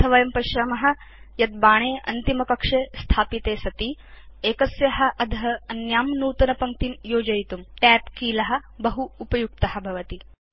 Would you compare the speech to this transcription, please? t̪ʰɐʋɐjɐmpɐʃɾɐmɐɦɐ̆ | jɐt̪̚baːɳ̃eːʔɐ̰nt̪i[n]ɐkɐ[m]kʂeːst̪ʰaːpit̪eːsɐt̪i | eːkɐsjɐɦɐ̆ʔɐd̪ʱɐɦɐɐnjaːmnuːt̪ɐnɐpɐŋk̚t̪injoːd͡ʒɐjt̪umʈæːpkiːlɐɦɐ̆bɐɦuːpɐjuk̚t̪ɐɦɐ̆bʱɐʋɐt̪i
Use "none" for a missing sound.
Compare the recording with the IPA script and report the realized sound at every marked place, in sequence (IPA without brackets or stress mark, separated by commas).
m, none